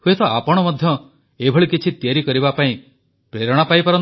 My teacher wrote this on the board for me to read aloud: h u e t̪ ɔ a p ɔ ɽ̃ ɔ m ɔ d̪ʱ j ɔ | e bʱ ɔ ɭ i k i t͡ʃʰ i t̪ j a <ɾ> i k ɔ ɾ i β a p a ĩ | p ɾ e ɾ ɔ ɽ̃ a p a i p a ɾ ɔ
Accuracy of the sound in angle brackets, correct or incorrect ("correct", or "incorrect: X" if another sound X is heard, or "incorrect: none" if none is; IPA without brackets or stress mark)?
correct